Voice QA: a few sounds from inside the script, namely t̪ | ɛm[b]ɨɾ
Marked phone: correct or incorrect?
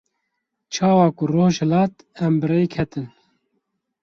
correct